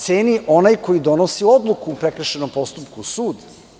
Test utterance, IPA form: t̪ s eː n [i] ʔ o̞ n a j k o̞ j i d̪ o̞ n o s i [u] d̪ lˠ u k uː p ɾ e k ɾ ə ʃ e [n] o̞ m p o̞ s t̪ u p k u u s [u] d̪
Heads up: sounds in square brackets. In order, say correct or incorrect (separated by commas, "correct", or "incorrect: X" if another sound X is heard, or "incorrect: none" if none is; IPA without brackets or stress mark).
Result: correct, incorrect: o, correct, incorrect: uː